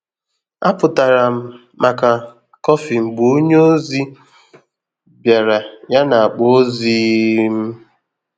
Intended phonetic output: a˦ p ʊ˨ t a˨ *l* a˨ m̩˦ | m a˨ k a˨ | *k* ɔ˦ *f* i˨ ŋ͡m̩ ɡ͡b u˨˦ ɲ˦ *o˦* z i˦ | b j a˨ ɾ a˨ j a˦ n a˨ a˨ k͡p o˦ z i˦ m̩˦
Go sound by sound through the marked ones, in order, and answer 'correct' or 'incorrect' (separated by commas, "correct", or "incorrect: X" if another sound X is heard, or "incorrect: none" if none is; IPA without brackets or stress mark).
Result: incorrect: ɾ, correct, correct, correct